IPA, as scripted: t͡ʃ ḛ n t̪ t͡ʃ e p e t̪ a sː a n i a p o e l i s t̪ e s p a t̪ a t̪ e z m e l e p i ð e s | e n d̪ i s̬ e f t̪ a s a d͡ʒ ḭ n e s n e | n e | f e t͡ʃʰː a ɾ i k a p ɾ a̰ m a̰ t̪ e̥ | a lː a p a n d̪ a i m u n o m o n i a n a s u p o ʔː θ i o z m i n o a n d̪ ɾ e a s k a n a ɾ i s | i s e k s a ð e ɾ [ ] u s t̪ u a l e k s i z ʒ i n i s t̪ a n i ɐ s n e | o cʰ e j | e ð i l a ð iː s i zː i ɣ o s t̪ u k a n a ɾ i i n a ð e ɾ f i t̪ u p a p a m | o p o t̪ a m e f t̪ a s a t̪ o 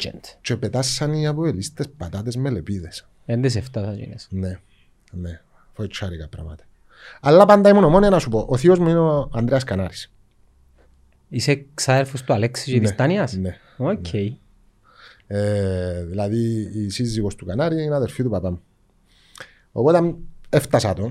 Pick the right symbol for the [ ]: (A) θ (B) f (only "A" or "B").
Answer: B